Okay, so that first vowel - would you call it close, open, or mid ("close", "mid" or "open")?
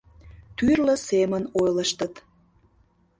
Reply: close